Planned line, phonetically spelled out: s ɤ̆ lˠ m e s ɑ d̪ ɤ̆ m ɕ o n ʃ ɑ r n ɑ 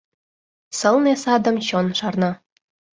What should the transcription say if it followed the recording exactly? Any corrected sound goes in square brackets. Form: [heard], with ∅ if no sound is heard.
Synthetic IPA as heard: s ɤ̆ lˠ [n] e s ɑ d̪ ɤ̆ m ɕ o n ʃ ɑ r n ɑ